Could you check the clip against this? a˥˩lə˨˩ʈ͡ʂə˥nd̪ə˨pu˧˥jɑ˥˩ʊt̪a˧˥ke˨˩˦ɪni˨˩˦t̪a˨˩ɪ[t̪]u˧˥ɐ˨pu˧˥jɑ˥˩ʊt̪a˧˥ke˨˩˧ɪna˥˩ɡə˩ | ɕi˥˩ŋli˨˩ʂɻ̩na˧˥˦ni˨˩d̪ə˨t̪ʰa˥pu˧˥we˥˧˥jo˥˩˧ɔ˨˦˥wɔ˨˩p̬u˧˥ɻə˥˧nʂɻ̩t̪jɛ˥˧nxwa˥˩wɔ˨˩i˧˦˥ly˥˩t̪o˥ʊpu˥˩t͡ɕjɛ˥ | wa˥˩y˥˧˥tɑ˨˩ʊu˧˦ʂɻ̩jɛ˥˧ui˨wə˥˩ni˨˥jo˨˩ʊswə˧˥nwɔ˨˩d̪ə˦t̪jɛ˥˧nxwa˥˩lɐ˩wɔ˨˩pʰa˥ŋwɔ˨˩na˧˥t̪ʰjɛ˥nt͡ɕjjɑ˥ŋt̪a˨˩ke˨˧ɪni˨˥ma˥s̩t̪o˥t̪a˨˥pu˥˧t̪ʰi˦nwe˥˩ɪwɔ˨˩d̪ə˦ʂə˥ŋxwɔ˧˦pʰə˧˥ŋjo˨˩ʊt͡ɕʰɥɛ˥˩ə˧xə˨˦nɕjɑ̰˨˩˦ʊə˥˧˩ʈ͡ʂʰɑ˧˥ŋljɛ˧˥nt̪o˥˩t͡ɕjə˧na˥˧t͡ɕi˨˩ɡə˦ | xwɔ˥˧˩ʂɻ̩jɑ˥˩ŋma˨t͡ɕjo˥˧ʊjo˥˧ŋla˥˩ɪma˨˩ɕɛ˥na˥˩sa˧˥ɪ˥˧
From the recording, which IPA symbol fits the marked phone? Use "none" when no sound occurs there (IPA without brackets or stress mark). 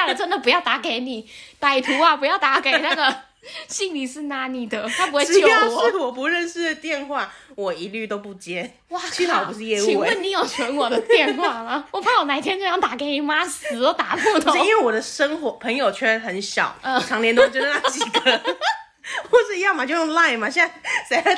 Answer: t̪ʰ